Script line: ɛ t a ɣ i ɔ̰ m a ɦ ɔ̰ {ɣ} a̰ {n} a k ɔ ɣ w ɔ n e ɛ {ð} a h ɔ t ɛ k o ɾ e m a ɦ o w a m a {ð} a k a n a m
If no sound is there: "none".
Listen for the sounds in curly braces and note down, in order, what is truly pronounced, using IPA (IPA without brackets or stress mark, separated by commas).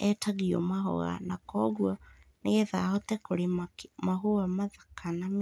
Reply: ɣ, n, ð, ð